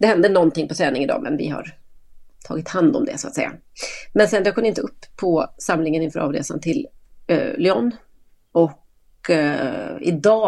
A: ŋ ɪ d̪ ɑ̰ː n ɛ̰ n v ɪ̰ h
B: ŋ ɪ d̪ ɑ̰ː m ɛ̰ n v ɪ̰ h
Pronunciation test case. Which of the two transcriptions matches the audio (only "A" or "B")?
B